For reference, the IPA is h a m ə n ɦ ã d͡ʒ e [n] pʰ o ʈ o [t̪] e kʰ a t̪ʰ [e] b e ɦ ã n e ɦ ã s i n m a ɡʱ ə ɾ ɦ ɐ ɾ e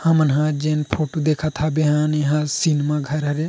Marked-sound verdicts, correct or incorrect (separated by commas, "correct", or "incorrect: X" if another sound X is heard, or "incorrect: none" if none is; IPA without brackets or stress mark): correct, incorrect: d̪, incorrect: a